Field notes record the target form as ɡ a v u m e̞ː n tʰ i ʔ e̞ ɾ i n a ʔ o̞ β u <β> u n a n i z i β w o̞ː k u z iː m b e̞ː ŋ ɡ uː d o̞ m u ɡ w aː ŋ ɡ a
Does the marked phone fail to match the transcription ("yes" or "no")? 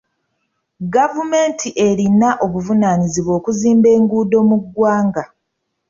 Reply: yes